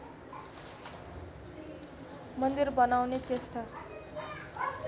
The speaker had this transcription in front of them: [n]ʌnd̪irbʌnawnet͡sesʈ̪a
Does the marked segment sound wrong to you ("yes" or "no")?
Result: yes